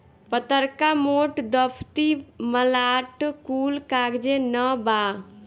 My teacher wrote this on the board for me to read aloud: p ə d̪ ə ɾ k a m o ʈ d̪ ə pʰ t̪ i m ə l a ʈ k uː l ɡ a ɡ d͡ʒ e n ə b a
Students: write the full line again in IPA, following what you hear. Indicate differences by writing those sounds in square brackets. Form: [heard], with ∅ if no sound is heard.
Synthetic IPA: p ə [t̪] ə ɾ k a m o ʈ d̪ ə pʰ t̪ i m ə l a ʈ k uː l [k] a ɡ d͡ʒ e n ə b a